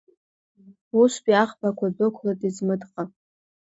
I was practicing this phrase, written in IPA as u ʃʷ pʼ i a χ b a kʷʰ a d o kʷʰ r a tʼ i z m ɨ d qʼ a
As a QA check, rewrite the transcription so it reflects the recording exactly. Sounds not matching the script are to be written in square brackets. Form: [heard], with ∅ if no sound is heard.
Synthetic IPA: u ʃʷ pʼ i a χ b a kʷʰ a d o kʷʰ [l] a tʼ i z m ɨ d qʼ a